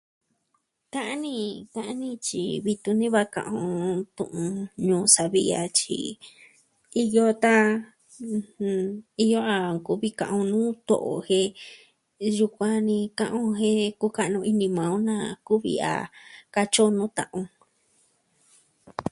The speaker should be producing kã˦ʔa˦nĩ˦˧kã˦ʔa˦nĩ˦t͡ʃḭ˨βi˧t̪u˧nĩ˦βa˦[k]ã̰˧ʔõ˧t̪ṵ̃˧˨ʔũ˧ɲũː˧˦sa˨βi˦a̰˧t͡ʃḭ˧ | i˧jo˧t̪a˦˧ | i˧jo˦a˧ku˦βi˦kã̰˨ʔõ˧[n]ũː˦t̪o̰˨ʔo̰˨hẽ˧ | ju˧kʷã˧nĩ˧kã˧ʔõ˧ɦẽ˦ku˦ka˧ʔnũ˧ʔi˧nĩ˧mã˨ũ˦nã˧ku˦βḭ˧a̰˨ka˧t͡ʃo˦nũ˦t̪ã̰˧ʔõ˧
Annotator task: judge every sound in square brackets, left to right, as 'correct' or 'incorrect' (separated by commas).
correct, correct